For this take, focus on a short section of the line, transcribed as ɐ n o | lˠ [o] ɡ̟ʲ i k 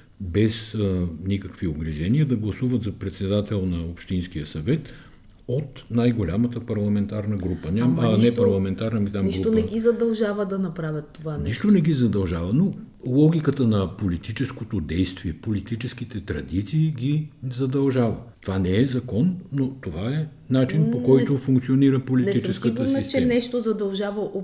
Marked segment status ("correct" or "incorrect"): incorrect